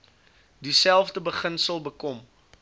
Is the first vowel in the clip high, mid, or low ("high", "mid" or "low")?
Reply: high